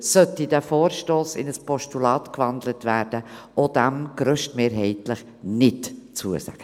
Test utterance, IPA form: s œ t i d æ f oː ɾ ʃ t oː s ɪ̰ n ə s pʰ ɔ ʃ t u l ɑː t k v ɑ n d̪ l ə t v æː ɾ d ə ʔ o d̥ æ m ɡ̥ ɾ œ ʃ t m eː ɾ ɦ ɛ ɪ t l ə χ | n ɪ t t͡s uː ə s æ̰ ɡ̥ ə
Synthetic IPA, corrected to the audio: s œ t i d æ f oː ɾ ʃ t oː s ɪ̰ n ə s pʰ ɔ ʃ t u l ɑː t k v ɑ n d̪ l ə t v æː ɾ d ə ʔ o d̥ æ m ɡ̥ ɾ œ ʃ t m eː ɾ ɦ ɛ ɪ t l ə χ | n ɪ t t͡s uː ə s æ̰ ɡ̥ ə